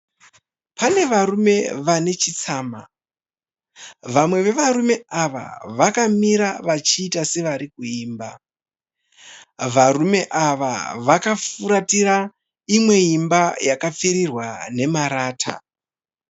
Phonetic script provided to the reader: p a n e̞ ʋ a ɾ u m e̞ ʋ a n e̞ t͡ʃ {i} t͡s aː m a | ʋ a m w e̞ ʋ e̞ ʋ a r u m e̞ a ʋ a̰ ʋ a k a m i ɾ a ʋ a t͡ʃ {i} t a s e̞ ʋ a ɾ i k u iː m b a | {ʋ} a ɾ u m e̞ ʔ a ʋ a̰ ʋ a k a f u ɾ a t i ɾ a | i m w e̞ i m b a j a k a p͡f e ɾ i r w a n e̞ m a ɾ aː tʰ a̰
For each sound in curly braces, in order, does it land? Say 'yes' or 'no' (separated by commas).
yes, no, yes